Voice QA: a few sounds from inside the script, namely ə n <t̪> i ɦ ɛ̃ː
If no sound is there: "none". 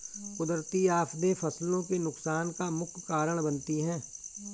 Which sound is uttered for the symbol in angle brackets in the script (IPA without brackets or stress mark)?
t̪